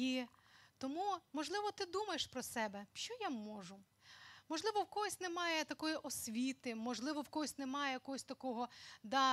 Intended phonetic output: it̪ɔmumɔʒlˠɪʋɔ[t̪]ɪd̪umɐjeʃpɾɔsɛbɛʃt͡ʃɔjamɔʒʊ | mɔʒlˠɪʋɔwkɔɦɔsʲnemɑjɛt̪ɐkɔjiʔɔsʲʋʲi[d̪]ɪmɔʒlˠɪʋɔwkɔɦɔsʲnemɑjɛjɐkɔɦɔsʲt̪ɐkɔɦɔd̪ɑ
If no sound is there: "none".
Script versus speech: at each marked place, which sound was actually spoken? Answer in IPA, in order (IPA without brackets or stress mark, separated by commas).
t̪, t̪